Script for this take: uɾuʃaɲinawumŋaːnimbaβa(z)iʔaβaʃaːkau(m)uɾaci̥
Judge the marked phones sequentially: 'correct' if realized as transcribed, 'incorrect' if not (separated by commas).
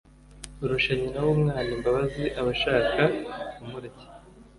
correct, correct